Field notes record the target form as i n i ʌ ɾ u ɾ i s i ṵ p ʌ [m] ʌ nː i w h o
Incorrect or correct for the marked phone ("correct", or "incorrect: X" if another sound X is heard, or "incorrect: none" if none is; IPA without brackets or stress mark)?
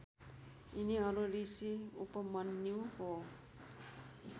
correct